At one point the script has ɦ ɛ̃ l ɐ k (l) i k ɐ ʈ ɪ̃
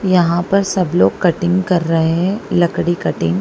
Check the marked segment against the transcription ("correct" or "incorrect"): incorrect